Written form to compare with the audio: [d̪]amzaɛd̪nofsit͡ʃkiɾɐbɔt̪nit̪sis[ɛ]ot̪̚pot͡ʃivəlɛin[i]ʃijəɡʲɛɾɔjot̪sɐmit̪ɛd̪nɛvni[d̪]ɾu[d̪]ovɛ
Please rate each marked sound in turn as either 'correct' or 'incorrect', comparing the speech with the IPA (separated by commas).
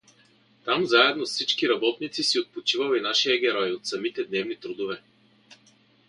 incorrect, incorrect, incorrect, incorrect, correct